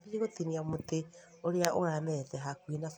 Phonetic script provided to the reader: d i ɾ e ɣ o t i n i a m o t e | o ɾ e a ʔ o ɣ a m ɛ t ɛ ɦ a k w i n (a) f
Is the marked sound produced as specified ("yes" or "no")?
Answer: yes